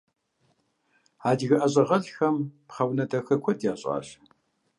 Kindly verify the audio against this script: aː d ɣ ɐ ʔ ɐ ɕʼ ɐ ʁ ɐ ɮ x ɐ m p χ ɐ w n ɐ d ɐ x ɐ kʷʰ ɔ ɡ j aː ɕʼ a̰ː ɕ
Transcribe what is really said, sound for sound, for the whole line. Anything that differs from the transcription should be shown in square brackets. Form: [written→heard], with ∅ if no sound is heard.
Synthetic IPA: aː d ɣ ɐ ʔ ɐ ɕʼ ɐ ʁ ɐ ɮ x ɐ m p χ ɐ w n ɐ d ɐ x ɐ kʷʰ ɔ [ɡ→d] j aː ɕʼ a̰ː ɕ